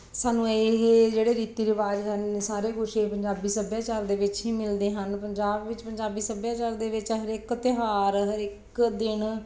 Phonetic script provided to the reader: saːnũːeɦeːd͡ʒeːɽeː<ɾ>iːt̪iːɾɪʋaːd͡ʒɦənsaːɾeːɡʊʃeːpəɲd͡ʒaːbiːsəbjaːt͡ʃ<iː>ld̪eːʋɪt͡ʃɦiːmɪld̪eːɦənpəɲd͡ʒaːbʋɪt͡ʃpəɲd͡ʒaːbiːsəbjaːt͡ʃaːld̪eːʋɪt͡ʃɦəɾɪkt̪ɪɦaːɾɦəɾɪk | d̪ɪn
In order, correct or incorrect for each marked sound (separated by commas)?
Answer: correct, incorrect